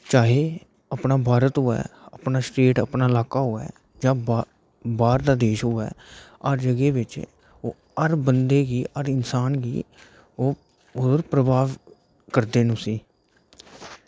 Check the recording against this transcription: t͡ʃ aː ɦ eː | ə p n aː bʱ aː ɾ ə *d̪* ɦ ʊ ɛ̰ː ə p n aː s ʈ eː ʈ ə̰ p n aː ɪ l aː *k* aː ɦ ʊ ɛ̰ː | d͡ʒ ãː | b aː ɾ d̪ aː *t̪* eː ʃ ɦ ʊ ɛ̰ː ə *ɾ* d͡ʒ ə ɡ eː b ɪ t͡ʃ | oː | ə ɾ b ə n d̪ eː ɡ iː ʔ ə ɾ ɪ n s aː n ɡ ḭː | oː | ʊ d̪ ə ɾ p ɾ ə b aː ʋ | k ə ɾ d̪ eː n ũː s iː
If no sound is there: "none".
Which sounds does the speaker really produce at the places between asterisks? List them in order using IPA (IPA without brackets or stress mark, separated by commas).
t̪, k, d̪, ɾ